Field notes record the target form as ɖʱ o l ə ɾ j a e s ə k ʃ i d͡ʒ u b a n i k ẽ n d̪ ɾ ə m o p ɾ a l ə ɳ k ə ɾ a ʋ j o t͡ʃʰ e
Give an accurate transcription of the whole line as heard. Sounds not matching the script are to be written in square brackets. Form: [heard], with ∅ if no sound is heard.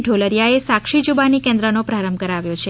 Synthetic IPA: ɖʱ o l ə ɾ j a e s [a] k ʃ i d͡ʒ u b a n i k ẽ n d̪ ɾ ə [n] o p ɾ a [ɾ] ə [m] k ə ɾ a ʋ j o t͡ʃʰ e